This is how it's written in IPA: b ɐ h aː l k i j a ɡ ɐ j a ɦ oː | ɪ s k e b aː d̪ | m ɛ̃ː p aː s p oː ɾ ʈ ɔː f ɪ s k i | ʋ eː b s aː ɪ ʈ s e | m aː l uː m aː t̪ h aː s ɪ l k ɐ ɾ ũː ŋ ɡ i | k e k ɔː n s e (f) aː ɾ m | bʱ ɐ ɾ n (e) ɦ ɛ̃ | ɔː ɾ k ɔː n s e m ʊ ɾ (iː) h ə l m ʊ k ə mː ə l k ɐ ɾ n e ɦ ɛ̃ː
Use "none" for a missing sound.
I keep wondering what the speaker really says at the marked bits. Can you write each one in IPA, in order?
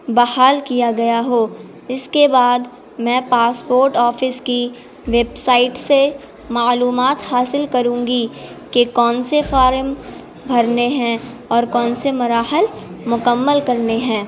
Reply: f, e, aː

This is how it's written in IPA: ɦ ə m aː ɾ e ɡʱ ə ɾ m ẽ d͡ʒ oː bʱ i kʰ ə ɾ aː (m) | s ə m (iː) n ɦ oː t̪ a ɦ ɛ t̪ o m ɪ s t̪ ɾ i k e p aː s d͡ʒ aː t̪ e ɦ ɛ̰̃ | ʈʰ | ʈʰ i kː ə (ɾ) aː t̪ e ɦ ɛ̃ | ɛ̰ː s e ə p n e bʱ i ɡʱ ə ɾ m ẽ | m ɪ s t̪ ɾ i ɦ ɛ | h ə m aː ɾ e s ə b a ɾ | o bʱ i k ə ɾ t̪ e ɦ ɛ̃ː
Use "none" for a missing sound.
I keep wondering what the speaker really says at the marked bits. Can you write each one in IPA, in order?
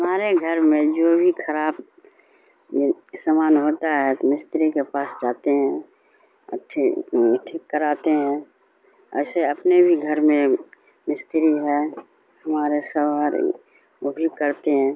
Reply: b, aː, ɾ

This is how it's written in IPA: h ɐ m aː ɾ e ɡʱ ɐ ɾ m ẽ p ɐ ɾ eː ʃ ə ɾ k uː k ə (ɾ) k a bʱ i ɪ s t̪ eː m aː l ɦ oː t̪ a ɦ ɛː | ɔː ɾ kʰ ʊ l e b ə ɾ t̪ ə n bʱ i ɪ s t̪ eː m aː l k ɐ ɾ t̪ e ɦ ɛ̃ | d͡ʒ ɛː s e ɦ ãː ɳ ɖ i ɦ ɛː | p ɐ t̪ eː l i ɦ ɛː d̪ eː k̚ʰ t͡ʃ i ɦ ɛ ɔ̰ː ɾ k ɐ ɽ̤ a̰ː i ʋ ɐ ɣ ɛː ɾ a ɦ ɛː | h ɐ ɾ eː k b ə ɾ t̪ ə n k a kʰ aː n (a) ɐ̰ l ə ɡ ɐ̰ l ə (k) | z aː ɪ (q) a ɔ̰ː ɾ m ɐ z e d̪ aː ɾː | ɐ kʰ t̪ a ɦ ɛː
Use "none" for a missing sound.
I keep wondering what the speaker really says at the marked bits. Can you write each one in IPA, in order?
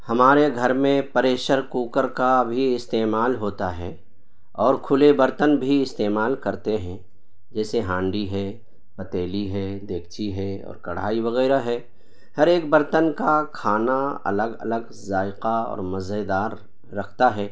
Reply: ɾ, a, ɡ, q

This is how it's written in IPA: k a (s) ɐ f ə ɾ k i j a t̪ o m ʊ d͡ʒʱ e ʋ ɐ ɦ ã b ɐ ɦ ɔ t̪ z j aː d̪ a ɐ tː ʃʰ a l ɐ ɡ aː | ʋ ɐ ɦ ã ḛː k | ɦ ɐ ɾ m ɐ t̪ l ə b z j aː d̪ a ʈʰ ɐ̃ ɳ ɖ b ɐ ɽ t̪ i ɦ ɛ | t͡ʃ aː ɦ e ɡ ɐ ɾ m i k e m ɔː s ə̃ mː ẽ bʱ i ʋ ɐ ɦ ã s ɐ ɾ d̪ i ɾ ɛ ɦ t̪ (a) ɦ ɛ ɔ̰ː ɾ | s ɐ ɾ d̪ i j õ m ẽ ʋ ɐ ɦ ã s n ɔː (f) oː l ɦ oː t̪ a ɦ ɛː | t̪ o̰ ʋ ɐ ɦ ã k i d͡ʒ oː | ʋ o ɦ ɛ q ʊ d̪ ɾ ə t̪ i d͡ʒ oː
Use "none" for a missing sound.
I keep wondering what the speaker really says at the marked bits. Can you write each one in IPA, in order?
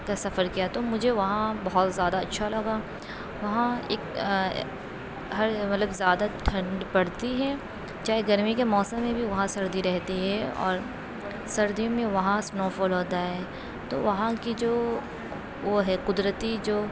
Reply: s, i, f

